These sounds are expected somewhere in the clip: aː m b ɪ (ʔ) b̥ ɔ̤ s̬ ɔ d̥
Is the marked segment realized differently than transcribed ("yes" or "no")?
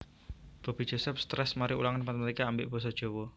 no